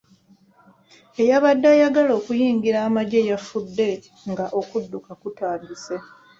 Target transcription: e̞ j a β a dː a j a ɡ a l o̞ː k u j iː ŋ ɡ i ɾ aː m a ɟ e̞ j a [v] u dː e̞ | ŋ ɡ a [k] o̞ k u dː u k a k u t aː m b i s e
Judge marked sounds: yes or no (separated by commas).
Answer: no, no